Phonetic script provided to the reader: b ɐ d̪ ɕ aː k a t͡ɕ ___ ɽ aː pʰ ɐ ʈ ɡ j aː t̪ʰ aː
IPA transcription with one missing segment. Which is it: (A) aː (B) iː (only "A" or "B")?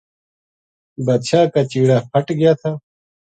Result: B